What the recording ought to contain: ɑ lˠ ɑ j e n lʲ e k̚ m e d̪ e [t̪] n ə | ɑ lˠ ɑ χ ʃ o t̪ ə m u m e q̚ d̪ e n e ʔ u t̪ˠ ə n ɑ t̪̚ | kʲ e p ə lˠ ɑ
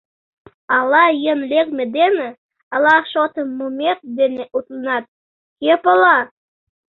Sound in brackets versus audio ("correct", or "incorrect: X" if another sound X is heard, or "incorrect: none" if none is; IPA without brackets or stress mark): incorrect: none